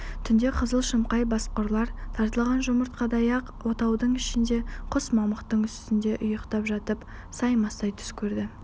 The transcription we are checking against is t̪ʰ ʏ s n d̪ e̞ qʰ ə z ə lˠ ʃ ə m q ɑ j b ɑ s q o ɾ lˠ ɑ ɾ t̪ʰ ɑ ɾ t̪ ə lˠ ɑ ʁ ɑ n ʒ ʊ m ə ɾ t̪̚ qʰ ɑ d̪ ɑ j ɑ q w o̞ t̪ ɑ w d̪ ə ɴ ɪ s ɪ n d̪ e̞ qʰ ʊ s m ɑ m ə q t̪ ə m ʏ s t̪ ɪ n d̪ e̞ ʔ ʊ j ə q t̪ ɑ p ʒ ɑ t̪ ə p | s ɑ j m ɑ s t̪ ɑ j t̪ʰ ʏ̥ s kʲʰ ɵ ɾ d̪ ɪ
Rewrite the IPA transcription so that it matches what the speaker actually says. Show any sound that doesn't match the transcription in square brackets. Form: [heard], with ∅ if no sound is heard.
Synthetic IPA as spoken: t̪ʰ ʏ [∅] n d̪ e̞ qʰ ə z ə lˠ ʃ ə m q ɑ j b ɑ s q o ɾ lˠ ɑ ɾ t̪ʰ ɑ ɾ t̪ ə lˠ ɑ ʁ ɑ n ʒ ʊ m ə ɾ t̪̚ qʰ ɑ d̪ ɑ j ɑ q w o̞ t̪ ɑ w d̪ ə ɴ ɪ [ʃ] ɪ n d̪ e̞ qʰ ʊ s m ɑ m ə q t̪ ə [ɴ] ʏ s t̪ ɪ n d̪ e̞ ʔ ʊ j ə q t̪ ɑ p ʒ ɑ t̪ ə p | s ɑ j m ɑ s t̪ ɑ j t̪ʰ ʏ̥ s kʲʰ ɵ ɾ d̪ ɪ